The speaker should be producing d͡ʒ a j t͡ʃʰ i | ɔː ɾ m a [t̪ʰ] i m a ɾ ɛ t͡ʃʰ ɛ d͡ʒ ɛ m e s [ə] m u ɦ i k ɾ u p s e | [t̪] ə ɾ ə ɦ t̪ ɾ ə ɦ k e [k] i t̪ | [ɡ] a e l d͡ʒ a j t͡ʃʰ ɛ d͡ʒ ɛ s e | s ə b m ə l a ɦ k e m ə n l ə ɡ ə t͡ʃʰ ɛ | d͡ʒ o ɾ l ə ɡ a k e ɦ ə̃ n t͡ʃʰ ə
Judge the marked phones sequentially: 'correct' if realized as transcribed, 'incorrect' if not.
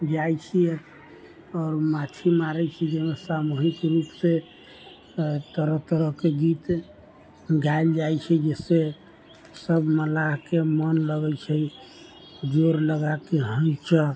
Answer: correct, incorrect: a, correct, incorrect: ɡ, correct

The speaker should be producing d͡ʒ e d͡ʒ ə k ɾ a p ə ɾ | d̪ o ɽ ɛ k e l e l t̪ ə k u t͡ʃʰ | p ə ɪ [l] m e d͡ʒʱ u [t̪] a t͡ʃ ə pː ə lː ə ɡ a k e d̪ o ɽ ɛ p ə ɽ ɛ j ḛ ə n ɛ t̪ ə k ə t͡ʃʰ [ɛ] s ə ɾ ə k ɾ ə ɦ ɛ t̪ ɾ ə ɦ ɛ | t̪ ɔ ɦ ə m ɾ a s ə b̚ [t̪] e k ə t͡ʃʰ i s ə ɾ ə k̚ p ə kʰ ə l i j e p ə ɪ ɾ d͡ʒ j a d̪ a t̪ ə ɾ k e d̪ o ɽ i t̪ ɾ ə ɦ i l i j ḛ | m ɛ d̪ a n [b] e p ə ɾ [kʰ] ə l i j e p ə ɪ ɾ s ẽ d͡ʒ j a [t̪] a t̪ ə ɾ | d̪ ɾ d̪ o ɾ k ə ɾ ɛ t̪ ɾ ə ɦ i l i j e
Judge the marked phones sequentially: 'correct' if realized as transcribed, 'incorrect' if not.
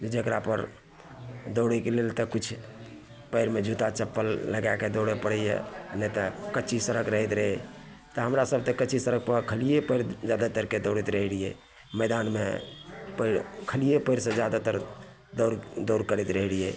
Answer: incorrect: ɾ, correct, incorrect: i, correct, incorrect: m, correct, incorrect: d̪

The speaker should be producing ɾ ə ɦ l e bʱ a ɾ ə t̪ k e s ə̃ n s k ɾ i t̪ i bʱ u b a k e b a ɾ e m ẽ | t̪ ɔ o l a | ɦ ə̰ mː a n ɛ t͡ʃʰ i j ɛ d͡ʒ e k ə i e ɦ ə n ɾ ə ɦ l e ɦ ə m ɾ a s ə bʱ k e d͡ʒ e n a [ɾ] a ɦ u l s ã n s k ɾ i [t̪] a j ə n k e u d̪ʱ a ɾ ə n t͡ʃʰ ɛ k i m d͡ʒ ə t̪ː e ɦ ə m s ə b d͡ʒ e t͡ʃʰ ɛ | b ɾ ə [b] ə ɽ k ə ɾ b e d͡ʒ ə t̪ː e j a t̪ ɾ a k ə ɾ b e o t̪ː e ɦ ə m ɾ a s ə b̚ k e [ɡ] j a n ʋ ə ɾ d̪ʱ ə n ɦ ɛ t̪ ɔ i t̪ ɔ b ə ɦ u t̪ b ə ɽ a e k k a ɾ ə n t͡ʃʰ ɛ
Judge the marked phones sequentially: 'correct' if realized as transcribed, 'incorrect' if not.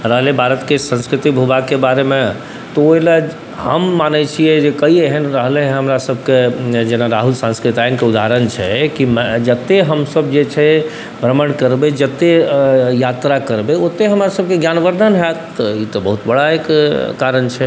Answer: correct, correct, incorrect: m, correct

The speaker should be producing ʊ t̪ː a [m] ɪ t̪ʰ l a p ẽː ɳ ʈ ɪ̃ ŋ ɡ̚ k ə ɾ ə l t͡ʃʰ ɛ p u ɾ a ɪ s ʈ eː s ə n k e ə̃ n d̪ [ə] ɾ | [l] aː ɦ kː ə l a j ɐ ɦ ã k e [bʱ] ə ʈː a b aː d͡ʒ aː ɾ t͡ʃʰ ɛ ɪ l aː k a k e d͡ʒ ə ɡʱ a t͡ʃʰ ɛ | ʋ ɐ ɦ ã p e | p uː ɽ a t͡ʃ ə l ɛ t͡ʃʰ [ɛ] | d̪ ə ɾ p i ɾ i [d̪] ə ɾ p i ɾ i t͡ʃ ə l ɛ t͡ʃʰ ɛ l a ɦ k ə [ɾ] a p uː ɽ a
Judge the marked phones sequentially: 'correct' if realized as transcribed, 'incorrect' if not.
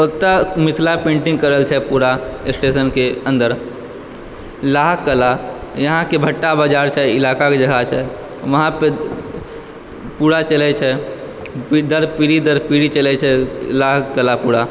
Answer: correct, correct, correct, correct, correct, correct, incorrect: l

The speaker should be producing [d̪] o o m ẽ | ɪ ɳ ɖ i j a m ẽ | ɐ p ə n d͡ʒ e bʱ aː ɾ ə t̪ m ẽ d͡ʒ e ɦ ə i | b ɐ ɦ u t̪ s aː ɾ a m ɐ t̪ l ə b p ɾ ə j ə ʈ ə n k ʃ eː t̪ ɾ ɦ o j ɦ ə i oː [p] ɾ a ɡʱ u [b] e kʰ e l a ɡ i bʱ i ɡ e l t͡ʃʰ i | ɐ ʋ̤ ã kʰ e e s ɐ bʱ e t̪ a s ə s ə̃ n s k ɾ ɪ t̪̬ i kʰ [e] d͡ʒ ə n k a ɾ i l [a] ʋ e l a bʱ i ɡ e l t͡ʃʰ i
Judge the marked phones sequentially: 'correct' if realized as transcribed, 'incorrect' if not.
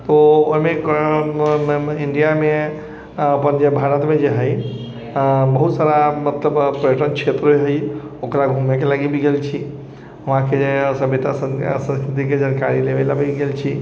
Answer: incorrect: t̪, incorrect: k, incorrect: m, correct, incorrect: e

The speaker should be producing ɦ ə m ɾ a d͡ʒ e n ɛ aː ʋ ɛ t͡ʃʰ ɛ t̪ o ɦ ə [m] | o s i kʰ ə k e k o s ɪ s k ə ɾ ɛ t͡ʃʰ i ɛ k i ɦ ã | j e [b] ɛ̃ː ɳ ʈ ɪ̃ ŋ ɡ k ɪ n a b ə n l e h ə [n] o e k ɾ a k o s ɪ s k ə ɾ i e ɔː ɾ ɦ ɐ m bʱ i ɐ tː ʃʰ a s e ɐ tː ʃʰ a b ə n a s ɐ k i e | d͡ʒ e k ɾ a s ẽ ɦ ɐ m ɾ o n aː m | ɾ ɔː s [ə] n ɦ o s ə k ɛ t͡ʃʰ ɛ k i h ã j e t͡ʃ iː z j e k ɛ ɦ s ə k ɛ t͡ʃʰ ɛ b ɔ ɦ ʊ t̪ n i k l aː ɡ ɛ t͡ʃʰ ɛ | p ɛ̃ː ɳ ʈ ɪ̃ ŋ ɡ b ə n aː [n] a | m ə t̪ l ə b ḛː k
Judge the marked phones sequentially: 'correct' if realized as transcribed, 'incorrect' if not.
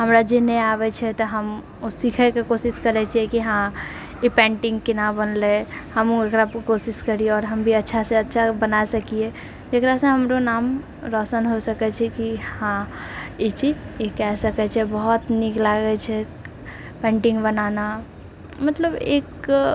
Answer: correct, incorrect: p, incorrect: m, correct, correct

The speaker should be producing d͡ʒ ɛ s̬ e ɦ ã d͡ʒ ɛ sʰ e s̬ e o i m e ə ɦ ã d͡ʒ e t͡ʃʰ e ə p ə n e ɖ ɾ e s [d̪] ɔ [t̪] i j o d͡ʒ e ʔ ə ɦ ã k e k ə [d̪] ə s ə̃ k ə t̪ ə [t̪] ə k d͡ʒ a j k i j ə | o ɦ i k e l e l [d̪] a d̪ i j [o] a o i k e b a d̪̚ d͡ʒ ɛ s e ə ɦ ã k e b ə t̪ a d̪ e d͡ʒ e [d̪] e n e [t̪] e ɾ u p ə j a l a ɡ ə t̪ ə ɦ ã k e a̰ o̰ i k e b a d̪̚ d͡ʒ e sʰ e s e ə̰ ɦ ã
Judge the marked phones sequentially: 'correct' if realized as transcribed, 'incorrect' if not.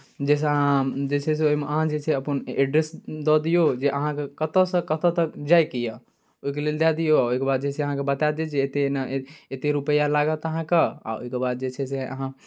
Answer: correct, incorrect: d̪, incorrect: t̪, correct, correct, correct, incorrect: t̪, correct

